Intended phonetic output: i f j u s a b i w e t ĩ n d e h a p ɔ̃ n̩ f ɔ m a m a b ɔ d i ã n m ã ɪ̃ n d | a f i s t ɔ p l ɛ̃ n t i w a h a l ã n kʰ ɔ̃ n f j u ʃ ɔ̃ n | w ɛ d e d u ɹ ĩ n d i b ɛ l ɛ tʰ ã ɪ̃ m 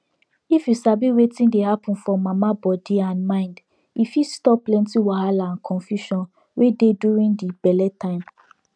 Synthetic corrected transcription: i f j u s a b i w e t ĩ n d e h a p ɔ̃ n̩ f ɔ m a m a b ɔ d i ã n m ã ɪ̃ n d | i f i s t ɔ p l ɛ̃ n t i w a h a l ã n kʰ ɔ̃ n f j u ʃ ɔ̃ n | w e d e d u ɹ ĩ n d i b ɛ l ɛ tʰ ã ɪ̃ m